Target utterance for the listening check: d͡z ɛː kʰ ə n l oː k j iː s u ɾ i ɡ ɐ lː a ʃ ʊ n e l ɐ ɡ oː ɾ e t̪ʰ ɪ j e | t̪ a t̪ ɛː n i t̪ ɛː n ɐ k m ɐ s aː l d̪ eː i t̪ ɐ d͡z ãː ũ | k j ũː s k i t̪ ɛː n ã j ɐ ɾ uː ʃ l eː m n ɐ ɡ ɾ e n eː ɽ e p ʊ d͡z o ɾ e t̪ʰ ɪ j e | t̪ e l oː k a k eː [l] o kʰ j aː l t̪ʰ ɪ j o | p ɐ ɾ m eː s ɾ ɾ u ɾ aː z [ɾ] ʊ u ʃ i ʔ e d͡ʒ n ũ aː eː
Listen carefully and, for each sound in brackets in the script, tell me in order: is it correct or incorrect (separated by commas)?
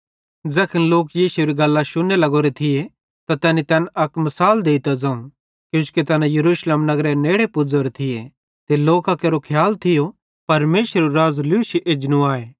incorrect, incorrect